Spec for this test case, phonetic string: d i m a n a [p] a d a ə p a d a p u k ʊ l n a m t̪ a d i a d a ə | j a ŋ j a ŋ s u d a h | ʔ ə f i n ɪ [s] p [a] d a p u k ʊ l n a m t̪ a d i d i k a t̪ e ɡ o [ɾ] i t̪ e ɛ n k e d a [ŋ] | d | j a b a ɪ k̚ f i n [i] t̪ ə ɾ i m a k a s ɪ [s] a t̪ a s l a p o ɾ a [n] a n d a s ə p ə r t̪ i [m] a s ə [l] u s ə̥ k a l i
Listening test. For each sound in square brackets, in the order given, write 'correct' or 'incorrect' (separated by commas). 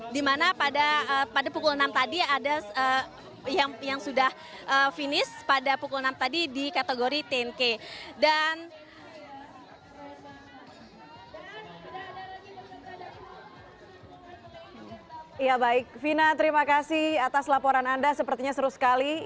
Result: correct, correct, correct, correct, incorrect, incorrect, incorrect, correct, incorrect, incorrect